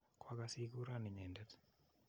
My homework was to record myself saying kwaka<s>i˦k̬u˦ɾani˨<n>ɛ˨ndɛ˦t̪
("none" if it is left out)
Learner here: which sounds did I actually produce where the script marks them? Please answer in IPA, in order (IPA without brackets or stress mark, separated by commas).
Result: s, ɲ